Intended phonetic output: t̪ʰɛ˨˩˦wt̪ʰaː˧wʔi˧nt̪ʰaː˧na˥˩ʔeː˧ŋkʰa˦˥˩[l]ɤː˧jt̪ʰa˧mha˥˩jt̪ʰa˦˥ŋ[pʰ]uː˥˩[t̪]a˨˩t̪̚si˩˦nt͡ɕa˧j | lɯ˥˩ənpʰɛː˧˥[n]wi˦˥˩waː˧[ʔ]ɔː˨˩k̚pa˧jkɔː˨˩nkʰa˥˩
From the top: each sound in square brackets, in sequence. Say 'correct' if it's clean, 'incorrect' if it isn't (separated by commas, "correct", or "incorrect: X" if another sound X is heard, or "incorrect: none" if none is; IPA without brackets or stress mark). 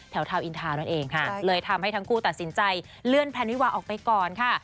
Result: correct, incorrect: kʰ, correct, correct, correct